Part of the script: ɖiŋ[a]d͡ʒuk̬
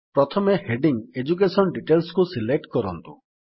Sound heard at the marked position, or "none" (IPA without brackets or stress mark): e